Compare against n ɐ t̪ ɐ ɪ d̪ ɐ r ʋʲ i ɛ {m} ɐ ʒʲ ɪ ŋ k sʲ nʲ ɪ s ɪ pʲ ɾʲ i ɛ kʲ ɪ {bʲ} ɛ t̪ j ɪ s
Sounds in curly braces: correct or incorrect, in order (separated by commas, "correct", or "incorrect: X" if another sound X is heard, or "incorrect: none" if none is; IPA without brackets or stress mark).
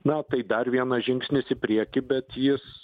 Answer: incorrect: n, correct